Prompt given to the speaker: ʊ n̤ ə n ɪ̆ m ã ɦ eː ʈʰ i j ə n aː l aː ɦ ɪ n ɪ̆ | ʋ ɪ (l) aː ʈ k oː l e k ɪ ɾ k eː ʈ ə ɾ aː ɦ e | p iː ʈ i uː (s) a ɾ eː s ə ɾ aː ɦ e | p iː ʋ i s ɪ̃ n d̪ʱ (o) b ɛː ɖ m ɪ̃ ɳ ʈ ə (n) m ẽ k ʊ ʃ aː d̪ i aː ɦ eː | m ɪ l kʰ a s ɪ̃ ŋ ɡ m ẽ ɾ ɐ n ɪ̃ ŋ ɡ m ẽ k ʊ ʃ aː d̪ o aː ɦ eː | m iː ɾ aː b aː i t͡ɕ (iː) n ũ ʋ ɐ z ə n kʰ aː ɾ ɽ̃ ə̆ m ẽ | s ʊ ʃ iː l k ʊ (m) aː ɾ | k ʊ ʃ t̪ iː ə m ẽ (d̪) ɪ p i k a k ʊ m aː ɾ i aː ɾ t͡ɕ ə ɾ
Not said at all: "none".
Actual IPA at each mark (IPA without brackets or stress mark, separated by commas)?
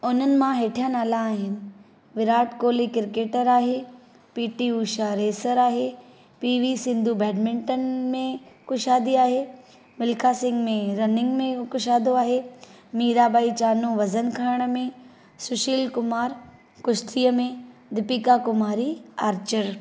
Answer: ɾ, ʃ, u, n, aː, m, d̪